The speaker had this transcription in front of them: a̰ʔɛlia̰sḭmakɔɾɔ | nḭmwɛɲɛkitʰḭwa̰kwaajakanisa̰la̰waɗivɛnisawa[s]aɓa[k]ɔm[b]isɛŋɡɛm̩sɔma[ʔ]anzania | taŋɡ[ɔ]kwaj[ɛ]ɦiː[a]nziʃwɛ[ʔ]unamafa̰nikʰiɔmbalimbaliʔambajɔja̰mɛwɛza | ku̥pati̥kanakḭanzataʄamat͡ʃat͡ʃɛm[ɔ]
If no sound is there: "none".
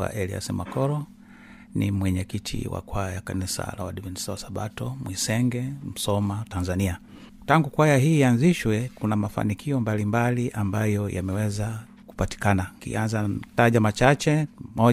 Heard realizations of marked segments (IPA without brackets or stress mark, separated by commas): s, t, w, t, u, a, a, k, ɔ